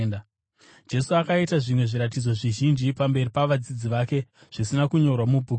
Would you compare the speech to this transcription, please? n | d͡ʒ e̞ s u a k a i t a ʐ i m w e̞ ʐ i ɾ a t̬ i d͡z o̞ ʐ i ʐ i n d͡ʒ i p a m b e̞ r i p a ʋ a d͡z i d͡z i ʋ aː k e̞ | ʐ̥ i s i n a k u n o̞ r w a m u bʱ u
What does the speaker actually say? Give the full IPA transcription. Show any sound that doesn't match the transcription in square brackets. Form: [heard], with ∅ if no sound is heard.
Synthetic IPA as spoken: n | d͡ʒ e̞ s u a k a i t a ʐ i m w e̞ ʐ i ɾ a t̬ i d͡z o̞ ʐ i [ʒ] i n d͡ʒ i p a m b e̞ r i p a ʋ a d͡z i d͡z i ʋ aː k e̞ | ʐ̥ i s i n a k u [ɲ] o̞ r w a m u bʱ u